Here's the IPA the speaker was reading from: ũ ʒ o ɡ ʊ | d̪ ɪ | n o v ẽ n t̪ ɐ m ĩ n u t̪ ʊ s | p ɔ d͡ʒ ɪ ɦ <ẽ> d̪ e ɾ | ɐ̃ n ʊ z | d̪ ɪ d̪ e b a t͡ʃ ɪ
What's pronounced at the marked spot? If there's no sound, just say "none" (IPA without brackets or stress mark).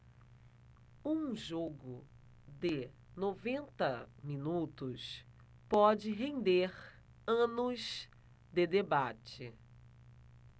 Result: ẽ